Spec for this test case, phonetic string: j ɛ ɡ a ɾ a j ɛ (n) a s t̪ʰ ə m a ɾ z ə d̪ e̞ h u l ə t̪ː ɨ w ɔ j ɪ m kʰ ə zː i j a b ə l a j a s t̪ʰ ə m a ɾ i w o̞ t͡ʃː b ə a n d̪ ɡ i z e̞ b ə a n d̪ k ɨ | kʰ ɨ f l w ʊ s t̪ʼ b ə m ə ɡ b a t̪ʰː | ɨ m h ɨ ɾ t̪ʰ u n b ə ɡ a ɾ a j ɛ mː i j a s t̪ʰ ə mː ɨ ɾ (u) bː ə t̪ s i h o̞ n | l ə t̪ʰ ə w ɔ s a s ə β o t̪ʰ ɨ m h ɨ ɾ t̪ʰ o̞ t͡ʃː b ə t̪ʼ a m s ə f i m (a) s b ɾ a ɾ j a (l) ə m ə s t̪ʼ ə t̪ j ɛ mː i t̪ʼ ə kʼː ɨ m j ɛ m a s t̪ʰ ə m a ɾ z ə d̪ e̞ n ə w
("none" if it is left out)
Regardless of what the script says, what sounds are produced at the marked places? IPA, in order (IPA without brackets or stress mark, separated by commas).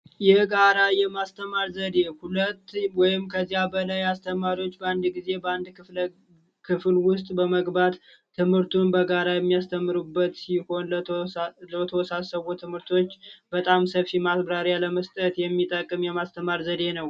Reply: m, u, a, l